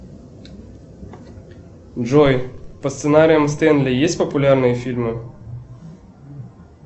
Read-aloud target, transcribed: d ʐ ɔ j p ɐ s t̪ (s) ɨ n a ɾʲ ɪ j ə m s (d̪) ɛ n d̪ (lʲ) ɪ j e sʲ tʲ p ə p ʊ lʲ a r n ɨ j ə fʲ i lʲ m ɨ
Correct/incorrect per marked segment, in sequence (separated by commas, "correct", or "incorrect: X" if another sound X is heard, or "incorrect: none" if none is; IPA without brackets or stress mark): correct, incorrect: t̪, correct